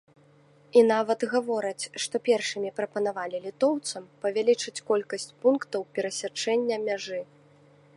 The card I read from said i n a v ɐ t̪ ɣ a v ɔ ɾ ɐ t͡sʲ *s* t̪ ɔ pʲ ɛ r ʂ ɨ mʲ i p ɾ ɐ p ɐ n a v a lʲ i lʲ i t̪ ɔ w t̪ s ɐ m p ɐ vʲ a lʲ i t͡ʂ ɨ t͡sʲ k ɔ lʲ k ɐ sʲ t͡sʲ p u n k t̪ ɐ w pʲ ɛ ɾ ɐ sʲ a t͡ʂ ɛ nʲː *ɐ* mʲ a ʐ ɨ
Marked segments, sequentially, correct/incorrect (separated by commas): incorrect, correct